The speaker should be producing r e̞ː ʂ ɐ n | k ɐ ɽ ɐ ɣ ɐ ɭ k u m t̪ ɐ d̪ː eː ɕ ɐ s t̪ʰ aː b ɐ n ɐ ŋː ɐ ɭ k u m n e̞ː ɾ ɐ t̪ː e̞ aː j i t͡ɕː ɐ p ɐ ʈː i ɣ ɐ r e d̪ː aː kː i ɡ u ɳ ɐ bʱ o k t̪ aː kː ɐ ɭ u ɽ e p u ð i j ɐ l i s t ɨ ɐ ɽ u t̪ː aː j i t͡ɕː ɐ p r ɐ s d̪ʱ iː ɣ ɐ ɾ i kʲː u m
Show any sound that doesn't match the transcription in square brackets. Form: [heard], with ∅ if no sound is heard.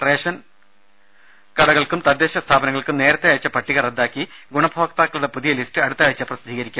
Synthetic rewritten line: r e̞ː ʂ ɐ n | k ɐ ɽ ɐ ɣ ɐ ɭ k u m t̪ ɐ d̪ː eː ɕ ɐ s t̪ʰ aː b ɐ n ɐ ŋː ɐ ɭ k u m n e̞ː ɾ ɐ t̪ː e̞ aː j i t͡ɕː ɐ p ɐ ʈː i ɣ ɐ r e d̪ː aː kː i ɡ u ɳ ɐ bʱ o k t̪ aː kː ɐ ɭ u ɽ e p u ð i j ɐ l i s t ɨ ɐ ɽ u t̪ː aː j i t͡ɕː ɐ p r ɐ s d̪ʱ iː ɣ ɐ ɾ i kʲː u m